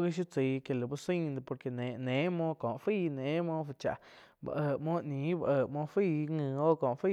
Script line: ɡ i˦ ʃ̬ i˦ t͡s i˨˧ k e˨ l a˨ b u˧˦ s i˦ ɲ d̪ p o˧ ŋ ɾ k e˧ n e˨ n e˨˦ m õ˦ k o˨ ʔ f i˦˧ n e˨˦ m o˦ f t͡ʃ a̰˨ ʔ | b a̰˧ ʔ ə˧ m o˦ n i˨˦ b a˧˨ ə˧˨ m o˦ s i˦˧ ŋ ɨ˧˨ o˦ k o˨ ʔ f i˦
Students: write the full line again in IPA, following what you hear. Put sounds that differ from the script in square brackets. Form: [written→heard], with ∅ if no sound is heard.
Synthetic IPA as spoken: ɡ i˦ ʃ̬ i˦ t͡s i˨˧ k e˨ l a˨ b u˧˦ s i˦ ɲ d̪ p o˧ [ŋ→∅] ɾ k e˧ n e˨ n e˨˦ m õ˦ k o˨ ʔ f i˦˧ n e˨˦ m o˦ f t͡ʃ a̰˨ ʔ | b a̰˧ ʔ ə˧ m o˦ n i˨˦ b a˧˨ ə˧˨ m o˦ [s→f] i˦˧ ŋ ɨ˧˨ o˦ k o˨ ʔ f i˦